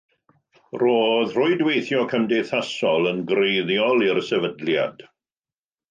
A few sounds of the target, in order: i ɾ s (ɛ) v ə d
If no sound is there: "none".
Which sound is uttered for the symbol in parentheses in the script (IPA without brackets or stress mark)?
ɛ